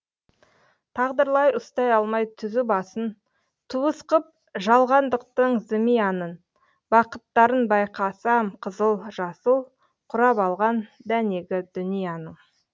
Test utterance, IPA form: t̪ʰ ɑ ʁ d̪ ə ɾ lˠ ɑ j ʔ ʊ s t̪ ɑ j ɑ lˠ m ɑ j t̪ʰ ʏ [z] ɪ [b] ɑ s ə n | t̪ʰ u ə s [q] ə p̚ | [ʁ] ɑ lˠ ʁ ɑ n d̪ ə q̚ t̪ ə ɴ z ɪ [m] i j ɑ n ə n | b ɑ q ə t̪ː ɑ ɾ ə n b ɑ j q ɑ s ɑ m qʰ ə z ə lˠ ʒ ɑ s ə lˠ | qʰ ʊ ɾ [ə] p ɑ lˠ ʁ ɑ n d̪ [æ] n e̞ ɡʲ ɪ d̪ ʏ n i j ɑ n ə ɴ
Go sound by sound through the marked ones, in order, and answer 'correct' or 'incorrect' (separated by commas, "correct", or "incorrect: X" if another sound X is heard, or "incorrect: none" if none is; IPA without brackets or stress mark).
correct, correct, correct, incorrect: ʒ, correct, incorrect: ɑ, correct